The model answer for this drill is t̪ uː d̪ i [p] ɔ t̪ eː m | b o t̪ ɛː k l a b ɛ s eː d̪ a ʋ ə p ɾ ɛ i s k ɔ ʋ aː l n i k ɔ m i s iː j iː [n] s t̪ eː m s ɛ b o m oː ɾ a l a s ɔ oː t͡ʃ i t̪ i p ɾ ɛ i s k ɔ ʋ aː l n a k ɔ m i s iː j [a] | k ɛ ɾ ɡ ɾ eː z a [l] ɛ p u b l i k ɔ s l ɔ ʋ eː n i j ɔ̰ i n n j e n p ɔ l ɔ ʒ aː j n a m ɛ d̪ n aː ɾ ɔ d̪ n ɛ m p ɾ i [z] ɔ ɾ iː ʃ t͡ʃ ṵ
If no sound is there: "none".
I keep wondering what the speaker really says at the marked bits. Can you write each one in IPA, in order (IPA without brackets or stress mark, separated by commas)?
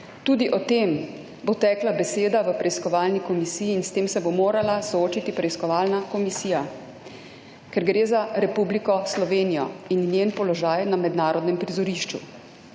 ʔ, n, a, ɾ, z